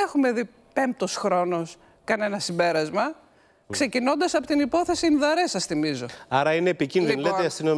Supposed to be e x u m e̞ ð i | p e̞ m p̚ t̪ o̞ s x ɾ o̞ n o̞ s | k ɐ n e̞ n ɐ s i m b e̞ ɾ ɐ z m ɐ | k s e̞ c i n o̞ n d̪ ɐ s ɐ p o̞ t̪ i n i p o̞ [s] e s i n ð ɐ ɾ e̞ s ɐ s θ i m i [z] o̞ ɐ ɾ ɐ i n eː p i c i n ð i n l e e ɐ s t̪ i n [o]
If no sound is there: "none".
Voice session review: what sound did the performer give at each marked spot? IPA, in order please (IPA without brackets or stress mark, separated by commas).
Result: θ, z, o